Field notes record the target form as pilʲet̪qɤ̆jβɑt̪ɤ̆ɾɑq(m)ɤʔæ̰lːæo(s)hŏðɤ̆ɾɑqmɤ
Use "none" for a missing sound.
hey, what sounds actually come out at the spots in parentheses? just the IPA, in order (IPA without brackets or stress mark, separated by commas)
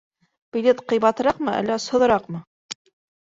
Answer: m, s